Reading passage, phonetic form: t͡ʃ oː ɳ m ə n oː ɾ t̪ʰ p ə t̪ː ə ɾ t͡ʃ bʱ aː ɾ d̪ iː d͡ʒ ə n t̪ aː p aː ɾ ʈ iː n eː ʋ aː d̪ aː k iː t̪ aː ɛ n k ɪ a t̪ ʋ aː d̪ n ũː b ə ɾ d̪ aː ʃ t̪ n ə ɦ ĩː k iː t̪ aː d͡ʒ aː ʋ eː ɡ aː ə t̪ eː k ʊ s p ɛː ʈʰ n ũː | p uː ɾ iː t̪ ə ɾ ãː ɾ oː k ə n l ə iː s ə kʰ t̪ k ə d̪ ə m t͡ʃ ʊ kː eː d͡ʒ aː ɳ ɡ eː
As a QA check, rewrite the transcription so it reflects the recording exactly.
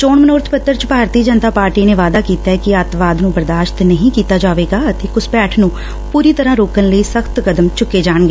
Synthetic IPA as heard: t͡ʃ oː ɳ m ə n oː ɾ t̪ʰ p ə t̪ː ə ɾ t͡ʃ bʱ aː ɾ t̪ iː d͡ʒ ə n t̪ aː p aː ɾ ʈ iː n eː ʋ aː d̪ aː k iː t̪ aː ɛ k ɪ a t̪ ʋ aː d̪ n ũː b ə ɾ d̪ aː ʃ t̪ n ə ɦ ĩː k iː t̪ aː d͡ʒ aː ʋ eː ɡ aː ə t̪ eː k ʊ s p ɛː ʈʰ n ũː | p uː ɾ iː t̪ ə ɾ ãː ɾ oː k ə n l ə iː s ə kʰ t̪ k ə d̪ ə m t͡ʃ ʊ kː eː d͡ʒ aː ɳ ɡ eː